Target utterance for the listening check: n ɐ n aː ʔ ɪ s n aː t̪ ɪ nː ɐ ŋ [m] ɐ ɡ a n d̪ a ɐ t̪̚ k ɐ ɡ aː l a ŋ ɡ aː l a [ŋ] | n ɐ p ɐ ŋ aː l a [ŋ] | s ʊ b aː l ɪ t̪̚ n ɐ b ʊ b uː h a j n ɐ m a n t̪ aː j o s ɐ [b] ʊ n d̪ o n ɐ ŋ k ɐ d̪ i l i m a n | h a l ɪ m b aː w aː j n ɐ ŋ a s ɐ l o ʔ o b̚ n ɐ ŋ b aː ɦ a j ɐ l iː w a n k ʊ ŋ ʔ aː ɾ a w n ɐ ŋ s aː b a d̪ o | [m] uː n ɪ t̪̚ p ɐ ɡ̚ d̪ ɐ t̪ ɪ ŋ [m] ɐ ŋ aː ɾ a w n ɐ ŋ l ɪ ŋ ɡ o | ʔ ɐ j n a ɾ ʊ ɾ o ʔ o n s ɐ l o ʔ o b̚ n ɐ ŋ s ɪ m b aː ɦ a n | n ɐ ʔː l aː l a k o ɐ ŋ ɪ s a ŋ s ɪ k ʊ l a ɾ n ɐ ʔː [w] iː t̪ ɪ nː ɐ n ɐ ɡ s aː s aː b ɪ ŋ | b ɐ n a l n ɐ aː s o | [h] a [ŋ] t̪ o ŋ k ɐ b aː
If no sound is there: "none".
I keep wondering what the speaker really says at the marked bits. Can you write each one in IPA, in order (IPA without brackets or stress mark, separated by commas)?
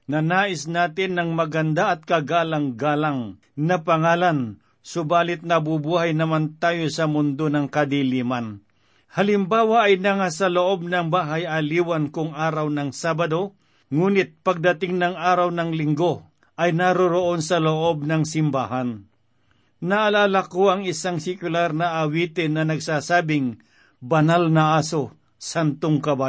m, ŋ, n, m, ŋ, n, w, s, n